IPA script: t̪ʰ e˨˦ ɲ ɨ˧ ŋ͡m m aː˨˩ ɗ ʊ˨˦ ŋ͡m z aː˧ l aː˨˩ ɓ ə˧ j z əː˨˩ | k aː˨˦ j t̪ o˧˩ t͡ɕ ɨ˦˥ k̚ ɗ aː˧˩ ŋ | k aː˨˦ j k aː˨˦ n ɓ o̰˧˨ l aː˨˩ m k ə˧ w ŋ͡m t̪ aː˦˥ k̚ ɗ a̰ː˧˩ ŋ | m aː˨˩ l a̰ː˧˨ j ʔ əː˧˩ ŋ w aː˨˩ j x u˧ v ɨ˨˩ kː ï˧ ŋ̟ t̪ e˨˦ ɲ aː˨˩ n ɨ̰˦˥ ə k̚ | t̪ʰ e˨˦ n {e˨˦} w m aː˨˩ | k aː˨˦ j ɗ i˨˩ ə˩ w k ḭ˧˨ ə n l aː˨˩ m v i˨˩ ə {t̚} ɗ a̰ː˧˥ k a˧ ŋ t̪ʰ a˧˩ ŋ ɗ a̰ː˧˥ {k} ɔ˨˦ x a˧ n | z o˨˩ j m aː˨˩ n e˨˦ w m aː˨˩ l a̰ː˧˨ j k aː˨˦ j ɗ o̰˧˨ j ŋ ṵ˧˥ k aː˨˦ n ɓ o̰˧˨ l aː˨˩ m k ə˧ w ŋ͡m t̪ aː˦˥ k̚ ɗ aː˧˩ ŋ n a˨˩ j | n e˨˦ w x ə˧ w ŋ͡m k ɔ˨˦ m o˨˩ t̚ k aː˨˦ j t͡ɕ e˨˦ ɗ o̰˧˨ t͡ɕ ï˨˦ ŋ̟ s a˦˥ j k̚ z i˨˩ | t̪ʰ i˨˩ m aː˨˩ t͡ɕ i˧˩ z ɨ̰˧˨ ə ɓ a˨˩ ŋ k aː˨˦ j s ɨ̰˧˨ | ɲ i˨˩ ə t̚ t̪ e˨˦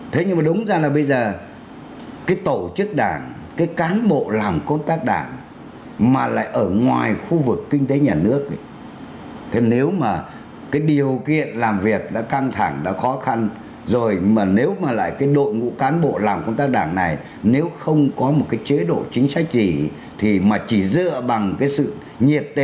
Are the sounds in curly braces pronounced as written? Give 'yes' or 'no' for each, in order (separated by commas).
yes, no, no